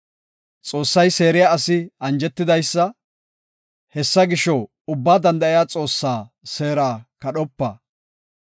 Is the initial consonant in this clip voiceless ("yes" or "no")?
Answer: yes